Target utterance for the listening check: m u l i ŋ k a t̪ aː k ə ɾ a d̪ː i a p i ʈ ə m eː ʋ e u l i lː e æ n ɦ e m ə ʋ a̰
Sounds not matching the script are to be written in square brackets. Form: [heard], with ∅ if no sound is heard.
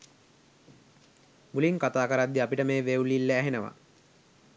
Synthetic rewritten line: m u l i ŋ k a t̪ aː k ə ɾ a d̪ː i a p i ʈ ə m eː ʋ e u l i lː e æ [∅] ɦ e [n] ə ʋ a̰

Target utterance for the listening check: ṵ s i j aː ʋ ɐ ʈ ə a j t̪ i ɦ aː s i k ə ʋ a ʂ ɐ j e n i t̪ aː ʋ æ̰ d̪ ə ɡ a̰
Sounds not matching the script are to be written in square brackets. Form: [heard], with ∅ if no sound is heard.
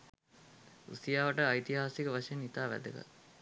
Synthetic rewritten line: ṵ s i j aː ʋ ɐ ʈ ə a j t̪ i ɦ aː s i k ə ʋ a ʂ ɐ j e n i t̪ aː ʋ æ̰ d̪ ə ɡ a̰

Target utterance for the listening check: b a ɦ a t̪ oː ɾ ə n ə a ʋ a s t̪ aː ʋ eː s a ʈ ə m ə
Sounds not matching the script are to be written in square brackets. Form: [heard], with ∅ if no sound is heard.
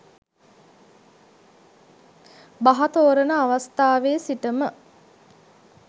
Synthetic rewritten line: b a ɦ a t̪ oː ɾ ə n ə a ʋ a s t̪ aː ʋ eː s [i] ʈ ə m ə

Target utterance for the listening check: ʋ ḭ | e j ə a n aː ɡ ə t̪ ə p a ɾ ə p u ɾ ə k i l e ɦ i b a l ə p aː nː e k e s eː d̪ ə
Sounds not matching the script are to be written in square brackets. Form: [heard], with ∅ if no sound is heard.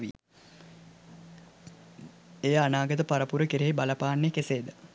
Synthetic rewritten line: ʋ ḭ | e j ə a n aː ɡ ə t̪ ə p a ɾ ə p u ɾ ə k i [ɾ] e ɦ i b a l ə p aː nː e k e s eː d̪ ə

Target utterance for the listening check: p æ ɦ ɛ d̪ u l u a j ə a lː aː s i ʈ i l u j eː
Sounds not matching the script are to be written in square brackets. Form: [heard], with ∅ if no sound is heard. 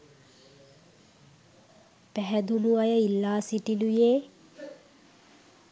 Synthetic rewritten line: p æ ɦ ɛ d̪ u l u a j ə [i] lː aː s i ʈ i l u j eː

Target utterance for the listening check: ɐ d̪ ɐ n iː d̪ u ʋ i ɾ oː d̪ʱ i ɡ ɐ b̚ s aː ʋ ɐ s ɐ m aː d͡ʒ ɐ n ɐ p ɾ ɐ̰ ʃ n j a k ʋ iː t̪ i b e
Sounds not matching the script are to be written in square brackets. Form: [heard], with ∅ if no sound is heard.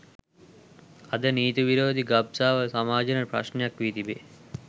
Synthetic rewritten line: ɐ d̪ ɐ n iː [t̪] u ʋ i ɾ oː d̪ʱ i ɡ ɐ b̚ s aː ʋ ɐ s ɐ m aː d͡ʒ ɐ n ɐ p ɾ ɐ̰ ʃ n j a k ʋ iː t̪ i b e

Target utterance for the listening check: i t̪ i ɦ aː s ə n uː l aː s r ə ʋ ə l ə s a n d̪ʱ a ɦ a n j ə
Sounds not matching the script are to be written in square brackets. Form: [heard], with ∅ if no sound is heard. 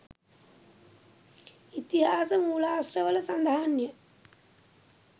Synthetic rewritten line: i t̪ i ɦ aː s ə [m] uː l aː s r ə ʋ ə l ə s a n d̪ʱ a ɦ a n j ə

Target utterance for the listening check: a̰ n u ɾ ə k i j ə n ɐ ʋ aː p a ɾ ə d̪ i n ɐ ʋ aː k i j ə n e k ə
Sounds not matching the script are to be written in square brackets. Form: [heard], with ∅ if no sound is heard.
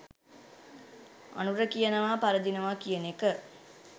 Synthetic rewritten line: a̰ n u ɾ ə k i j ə n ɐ ʋ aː p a ɾ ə d̪ i n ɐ ʋ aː k i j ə n e k ə

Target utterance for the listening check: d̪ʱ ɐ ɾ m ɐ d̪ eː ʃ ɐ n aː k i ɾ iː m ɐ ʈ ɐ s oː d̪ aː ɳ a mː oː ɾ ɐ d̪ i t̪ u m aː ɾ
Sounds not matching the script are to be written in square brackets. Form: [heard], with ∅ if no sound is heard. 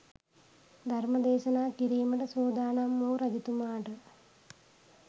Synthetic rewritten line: d̪ʱ ɐ ɾ m ɐ d̪ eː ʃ ɐ n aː k i ɾ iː m ɐ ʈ ɐ s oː d̪ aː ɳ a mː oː ɾ ɐ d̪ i t̪ u m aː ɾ

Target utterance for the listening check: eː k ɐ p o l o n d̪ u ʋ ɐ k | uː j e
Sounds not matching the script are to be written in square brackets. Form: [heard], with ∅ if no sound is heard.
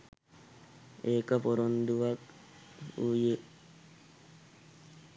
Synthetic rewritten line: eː k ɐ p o [ɾ] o n d̪ u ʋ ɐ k | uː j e

